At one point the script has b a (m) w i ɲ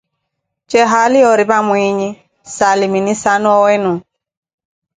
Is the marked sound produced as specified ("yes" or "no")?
yes